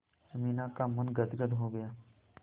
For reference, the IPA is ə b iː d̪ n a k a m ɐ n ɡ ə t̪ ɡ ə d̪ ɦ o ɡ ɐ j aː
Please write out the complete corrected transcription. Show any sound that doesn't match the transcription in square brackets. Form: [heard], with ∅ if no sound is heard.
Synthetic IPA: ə [m] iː [∅] n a k a m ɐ n ɡ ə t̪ ɡ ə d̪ ɦ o ɡ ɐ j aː